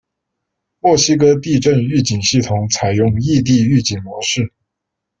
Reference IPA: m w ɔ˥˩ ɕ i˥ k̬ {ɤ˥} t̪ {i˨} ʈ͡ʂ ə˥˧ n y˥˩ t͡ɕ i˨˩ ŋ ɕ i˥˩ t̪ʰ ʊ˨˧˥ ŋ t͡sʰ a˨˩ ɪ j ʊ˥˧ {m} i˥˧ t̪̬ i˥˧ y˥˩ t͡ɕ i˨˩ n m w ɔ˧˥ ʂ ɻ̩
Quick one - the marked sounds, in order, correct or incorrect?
correct, incorrect: i˥˧, incorrect: ŋ

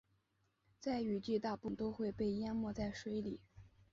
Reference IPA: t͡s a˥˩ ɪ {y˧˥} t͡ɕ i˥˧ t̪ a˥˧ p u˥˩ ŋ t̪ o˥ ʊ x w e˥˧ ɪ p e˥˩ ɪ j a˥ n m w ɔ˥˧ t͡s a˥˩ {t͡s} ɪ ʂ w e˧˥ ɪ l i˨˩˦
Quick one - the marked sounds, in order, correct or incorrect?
incorrect: y˨˩, incorrect: none

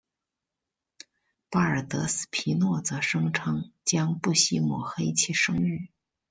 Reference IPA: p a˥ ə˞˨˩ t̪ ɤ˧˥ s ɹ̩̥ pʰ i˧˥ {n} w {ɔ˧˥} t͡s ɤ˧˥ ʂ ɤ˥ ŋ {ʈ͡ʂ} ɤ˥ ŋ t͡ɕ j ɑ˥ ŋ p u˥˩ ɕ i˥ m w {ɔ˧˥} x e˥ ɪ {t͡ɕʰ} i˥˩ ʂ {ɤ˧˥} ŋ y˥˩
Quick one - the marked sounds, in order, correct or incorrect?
correct, incorrect: ɔ˥˩, incorrect: ʈ͡ʂʰ, incorrect: ɔ˨˩, correct, incorrect: ɤ˥

